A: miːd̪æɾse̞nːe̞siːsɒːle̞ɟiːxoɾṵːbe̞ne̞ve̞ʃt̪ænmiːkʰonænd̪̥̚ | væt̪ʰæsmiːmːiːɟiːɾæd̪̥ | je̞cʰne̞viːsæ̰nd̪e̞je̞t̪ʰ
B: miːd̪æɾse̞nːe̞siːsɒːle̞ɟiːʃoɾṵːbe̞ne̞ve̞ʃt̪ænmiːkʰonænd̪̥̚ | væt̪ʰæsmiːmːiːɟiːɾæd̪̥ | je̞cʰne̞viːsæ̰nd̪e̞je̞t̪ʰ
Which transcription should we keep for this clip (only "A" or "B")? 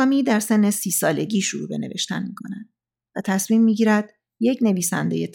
B